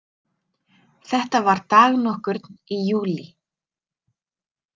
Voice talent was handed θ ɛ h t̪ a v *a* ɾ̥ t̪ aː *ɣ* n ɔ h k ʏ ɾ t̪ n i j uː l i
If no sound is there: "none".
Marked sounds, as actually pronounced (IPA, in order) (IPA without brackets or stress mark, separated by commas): a, ɣ